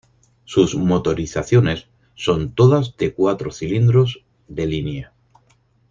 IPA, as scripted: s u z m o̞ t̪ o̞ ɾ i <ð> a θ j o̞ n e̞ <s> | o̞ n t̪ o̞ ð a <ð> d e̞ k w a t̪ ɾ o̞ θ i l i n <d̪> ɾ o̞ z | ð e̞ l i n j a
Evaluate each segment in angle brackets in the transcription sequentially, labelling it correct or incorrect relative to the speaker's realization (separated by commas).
incorrect, incorrect, incorrect, correct